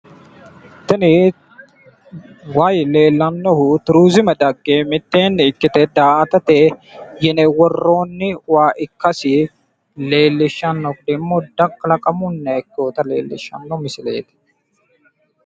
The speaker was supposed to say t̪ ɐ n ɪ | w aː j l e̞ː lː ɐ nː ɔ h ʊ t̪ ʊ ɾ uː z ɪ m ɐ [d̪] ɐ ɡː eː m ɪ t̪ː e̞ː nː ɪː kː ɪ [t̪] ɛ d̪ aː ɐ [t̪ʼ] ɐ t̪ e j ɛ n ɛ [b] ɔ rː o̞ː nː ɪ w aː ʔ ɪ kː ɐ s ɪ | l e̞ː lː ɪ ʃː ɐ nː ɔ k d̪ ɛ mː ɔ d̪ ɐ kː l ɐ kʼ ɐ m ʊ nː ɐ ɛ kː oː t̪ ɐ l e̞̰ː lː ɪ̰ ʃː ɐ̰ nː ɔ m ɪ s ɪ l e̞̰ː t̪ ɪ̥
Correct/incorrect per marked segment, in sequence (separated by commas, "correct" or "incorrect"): correct, correct, incorrect, incorrect